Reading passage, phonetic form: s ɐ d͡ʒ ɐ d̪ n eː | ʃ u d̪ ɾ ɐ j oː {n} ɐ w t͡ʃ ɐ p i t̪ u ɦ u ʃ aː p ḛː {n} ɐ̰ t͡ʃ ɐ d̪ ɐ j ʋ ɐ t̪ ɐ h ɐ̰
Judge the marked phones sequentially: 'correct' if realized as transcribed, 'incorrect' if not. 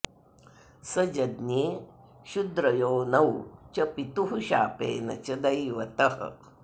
correct, correct

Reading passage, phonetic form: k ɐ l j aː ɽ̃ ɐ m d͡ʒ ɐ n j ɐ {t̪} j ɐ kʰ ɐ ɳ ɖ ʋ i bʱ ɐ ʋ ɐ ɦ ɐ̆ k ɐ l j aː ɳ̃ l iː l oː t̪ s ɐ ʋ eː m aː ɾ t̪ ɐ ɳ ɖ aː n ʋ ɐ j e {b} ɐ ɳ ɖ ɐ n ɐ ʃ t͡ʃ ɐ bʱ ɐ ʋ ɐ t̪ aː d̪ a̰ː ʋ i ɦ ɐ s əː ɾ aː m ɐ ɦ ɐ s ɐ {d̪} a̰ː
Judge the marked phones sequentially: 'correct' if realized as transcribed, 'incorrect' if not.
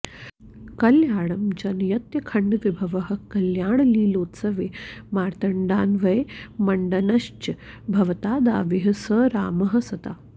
correct, incorrect, incorrect

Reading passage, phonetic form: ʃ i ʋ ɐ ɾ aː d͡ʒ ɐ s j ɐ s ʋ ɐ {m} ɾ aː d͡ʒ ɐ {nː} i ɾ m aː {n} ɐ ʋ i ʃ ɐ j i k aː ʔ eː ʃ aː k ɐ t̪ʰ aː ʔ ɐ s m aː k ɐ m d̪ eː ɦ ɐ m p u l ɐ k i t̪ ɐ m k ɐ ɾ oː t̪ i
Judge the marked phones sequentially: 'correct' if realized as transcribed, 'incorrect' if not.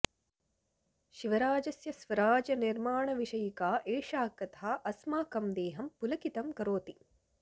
incorrect, incorrect, incorrect

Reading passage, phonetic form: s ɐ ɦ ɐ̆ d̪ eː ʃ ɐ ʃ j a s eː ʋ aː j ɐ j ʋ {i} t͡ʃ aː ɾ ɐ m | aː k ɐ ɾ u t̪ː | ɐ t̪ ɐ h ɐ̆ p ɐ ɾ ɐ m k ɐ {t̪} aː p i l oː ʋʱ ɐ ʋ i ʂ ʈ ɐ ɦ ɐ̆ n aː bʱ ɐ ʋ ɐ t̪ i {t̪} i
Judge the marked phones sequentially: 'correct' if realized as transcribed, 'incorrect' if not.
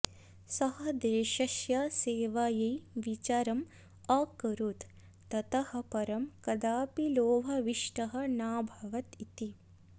correct, incorrect, correct

